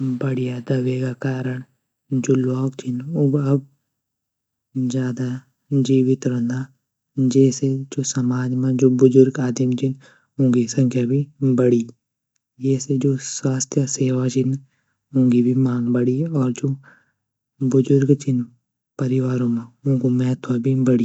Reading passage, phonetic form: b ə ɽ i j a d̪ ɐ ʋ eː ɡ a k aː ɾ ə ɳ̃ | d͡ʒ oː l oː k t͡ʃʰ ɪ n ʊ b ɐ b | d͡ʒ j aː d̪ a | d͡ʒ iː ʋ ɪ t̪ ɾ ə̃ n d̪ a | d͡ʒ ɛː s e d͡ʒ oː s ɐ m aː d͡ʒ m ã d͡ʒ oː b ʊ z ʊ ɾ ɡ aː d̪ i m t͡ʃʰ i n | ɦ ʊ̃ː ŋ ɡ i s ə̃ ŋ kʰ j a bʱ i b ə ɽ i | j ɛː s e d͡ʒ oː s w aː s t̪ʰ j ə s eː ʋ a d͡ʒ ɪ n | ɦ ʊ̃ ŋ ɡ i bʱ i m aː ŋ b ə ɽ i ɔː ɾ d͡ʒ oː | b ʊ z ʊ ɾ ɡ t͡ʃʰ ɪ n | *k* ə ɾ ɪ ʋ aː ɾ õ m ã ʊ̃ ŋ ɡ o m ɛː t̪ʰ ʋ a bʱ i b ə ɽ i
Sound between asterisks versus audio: incorrect: p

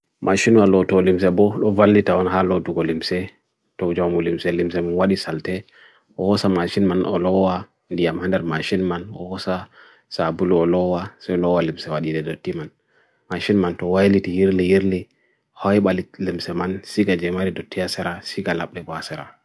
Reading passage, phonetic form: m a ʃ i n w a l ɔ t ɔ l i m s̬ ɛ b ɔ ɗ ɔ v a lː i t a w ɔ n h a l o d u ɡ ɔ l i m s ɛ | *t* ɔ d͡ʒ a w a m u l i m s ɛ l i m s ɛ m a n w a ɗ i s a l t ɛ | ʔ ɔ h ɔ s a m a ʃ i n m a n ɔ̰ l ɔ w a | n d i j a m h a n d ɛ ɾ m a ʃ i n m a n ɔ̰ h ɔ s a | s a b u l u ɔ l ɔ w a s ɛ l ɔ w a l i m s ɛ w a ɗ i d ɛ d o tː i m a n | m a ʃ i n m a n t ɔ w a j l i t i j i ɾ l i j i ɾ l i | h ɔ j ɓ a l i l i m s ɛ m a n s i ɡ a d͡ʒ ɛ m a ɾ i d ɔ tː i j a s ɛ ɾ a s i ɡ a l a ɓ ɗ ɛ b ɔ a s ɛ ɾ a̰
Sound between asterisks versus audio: correct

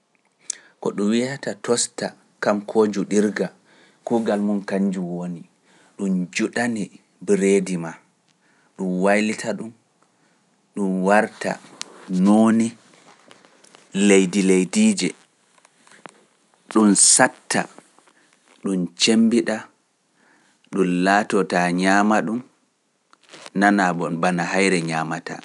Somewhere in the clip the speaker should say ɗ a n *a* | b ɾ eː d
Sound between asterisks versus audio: incorrect: i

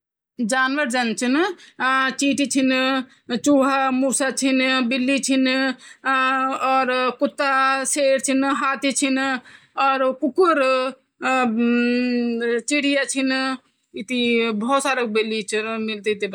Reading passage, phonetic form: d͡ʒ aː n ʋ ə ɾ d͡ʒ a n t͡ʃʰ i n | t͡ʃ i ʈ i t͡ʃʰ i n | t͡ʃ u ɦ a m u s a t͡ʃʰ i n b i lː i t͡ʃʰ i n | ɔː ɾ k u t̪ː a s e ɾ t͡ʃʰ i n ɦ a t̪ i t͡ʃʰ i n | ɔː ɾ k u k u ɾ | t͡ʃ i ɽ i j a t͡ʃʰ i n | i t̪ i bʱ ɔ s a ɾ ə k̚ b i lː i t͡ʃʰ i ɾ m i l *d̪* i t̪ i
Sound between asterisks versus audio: incorrect: t̪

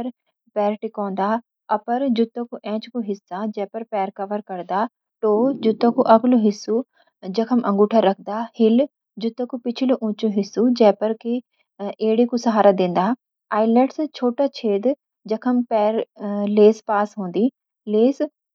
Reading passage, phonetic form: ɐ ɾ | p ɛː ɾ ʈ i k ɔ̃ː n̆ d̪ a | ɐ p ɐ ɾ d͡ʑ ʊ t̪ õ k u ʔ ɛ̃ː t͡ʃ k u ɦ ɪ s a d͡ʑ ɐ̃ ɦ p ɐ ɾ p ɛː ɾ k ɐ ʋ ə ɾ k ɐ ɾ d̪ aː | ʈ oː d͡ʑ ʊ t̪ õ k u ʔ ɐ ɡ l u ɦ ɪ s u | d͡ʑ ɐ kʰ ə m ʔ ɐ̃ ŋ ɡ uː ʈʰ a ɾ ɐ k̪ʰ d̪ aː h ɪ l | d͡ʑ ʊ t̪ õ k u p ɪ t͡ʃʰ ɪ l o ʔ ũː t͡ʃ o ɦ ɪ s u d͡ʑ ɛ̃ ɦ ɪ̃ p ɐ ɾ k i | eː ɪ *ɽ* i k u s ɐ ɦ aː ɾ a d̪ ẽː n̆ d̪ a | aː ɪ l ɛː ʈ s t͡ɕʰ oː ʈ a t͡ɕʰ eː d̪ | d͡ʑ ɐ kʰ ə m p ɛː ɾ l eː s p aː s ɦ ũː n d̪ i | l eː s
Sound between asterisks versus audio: correct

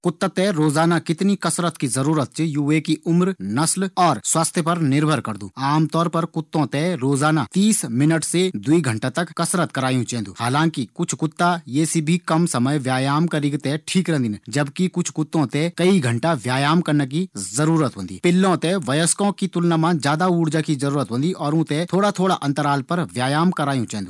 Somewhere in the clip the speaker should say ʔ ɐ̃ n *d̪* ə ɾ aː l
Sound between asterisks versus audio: incorrect: t̪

